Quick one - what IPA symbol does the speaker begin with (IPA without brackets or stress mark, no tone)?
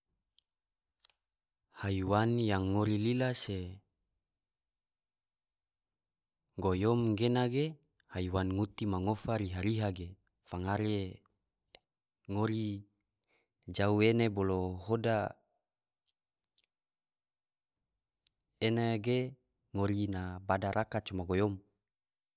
h